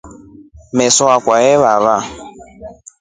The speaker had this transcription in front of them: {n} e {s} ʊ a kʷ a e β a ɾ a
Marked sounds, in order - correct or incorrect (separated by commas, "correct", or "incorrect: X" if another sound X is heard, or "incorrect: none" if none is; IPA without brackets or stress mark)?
incorrect: m, correct